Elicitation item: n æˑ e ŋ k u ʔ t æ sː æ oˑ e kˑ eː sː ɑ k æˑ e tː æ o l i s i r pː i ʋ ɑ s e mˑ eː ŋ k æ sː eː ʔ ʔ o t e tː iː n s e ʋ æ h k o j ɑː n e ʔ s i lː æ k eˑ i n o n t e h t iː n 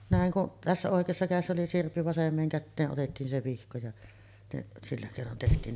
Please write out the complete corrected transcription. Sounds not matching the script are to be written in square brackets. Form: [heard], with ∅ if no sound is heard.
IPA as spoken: n æˑ e ŋ k u ʔ t æ sː æ oˑ e kˑ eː sː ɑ k æˑ e [sː] æ o l i s i r pː i ʋ ɑ s e mˑ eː ŋ k æ [tː] eː ʔ ʔ o t e tː iː n s e ʋ [i] h k o j [ɑ] n e ʔ s i lː æ k eˑ i n o n t e h t iː n